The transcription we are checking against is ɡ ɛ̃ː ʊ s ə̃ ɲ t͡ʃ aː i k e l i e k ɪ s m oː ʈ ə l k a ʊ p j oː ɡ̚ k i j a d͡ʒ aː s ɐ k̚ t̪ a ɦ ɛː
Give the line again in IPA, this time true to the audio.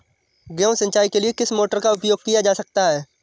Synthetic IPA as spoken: ɡ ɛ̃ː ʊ s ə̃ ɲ t͡ʃ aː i k e l i e k ɪ s m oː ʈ ə ɾ k a ʊ p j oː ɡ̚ k i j a d͡ʒ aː s ɐ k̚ t̪ a ɦ ɛː

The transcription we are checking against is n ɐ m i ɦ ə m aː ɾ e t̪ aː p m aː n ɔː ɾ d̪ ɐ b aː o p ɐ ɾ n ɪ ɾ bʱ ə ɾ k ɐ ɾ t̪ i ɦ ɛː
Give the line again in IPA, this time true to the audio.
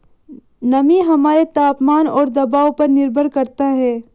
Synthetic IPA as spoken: n ɐ m i ɦ ɐ m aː ɾ e t̪ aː p m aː n ɔː ɾ d̪ ɐ b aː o p ɐ ɾ n ɪ ɾ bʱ ə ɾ k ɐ ɾ t̪ a ɦ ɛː

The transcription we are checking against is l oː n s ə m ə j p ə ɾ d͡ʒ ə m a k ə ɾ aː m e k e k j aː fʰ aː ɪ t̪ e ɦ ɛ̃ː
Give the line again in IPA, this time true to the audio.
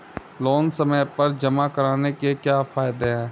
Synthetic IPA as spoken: l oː n s ə m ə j p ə ɾ d͡ʒ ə m a k ə ɾ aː n e k e k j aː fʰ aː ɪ d̪ e ɦ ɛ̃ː

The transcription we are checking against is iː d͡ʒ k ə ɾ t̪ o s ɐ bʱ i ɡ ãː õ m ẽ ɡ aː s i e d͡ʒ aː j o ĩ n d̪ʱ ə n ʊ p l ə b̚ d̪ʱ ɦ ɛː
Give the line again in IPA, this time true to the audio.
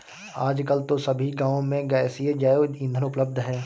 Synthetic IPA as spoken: aː d͡ʒ k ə l t̪ o s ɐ bʱ i ɡ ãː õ m ẽ ɡ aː s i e d͡ʒ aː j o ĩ n d̪ʱ ə n ʊ p l ə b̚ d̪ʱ ɦ ɛː

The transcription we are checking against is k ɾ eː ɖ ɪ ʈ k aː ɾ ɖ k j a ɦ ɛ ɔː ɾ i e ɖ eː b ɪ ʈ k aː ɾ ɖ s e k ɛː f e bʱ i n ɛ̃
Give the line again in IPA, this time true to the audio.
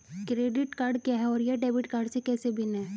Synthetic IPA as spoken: k ɾ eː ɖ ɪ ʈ k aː ɾ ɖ k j a ɦ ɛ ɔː ɾ j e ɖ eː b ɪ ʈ k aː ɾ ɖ s e k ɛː s e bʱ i n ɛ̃

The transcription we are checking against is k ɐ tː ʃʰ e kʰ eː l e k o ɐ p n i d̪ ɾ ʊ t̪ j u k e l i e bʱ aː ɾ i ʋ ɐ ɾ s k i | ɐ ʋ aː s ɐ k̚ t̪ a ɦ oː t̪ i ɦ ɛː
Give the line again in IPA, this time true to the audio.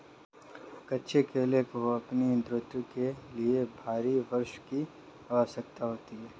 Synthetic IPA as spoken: k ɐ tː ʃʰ e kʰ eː l e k o ɐ p n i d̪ ɾ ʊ t̪ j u k e l i e bʱ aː ɾ i ʋ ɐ ɾ ʃ k i | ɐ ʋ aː s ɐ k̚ t̪ a ɦ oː t̪ i ɦ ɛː

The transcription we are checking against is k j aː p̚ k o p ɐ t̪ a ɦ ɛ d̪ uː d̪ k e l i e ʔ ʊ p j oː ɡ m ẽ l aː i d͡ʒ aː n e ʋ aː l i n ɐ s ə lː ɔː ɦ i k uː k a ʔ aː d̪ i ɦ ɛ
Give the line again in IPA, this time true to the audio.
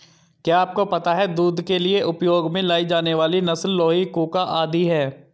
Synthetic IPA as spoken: k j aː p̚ k o p ɐ t̪ a ɦ ɛ d̪ uː d̪ k e l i e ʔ ʊ p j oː ɡ m ẽ l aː i d͡ʒ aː n e ʋ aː l i n ɐ s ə lː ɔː ɦ i k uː k a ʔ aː d̪ i ɦ ɛː

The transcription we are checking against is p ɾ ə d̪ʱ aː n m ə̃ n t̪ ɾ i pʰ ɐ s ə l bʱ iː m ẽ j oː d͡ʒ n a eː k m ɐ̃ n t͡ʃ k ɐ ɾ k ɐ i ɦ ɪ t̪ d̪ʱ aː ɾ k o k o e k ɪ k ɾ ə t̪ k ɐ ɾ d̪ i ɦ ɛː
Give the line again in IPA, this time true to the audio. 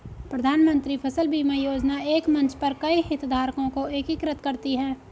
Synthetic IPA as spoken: p ɾ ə d̪ʱ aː n m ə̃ n t̪ ɾ i pʰ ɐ s ə l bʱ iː m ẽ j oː d͡ʒ n a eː k m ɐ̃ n t͡ʃ p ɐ ɾ k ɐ i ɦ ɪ t̪ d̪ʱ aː ɾ k õ k o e k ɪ k ɾ ə t̪ k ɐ ɾ t̪ i ɦ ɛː

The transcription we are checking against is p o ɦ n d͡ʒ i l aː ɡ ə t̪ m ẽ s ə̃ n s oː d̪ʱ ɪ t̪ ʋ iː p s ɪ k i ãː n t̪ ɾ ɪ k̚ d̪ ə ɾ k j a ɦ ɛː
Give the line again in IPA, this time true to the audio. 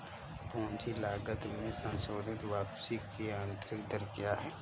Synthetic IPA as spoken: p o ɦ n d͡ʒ i l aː ɡ ə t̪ m ẽ s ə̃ n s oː d̪ʱ ɪ t̪ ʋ aː p s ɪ k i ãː n t̪ ɾ ɪ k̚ d̪ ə ɾ k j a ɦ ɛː

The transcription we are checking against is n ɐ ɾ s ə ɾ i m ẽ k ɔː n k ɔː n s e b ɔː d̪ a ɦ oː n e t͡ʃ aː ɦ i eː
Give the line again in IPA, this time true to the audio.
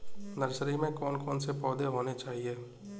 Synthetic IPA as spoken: n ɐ ɾ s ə ɾ i m ẽ k ɔː n k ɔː n s e p ɔː d̪ e ɦ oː n e t͡ʃ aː ɦ i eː

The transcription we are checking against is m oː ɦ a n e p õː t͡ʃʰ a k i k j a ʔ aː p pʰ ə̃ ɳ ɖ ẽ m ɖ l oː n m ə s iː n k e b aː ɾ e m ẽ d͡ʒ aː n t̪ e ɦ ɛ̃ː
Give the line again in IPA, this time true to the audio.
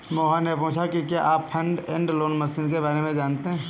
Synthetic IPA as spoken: m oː ɦ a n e p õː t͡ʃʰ a k i k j a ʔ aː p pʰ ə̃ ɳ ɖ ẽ ɳ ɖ l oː n m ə s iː n k e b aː ɾ e m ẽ d͡ʒ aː n t̪ e ɦ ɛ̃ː

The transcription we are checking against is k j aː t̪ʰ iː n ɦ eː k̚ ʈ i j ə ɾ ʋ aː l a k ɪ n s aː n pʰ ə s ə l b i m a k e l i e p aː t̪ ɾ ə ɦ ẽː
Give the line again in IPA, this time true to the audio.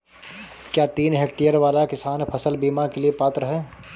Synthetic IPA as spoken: k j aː t̪ iː n ɦ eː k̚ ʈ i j ə ɾ ʋ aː l a k ɪ s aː n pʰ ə s ə l b iː m a k e l i e p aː t̪ ɾ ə ɦ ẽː

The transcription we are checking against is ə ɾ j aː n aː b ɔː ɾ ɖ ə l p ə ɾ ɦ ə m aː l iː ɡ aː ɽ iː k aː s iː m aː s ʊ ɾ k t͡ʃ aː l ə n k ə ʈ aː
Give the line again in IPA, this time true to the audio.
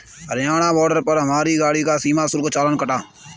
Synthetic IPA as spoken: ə ɾ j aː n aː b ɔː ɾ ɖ ə ɾ p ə ɾ ɦ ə m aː ɾ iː ɡ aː ɽ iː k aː s iː m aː s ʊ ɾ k t͡ʃ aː l ə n k ə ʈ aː

